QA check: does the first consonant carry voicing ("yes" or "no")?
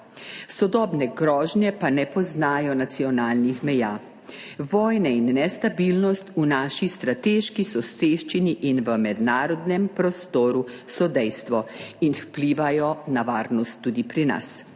no